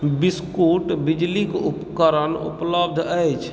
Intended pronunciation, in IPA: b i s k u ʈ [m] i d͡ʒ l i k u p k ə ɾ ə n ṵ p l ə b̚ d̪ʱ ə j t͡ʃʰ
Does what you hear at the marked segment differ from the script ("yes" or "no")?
yes